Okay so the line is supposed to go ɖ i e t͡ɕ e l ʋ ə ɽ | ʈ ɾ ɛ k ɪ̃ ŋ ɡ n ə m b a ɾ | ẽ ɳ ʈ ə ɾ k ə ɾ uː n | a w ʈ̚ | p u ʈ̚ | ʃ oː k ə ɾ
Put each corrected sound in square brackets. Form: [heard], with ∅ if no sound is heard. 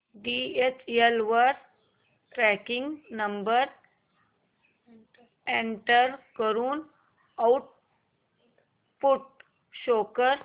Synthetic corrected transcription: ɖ i e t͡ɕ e l ʋ ə [ɾ] | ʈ ɾ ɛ k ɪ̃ ŋ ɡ n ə m b [ə] ɾ | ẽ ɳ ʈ ə ɾ k ə ɾ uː n | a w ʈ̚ | p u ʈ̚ | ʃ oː k ə ɾ